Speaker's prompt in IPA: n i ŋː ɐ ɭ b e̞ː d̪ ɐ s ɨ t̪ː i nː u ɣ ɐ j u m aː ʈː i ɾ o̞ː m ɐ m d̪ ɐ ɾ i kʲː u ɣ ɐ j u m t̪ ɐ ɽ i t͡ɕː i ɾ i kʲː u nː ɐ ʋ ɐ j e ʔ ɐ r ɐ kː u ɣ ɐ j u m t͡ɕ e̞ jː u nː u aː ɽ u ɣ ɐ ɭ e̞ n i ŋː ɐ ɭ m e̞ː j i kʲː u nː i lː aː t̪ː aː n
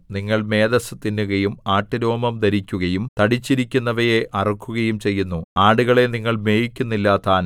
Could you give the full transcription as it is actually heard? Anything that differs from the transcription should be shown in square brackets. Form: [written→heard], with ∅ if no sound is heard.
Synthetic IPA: n i ŋː ɐ ɭ [b→m] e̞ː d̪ ɐ s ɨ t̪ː i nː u ɣ ɐ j u m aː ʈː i ɾ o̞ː m ɐ m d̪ ɐ ɾ i kʲː u ɣ ɐ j u m t̪ ɐ ɽ i t͡ɕː i ɾ i kʲː u nː ɐ ʋ ɐ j e ʔ ɐ r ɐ kː u ɣ ɐ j u m t͡ɕ e̞ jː u nː u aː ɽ u ɣ ɐ ɭ e̞ n i ŋː ɐ ɭ m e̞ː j i kʲː u nː i lː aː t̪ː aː n